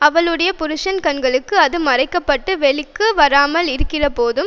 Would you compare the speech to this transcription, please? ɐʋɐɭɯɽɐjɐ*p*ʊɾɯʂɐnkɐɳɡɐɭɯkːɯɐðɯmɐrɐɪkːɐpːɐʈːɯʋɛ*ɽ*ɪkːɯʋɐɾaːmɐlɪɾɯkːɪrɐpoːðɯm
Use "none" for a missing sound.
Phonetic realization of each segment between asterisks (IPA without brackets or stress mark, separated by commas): p, ɭ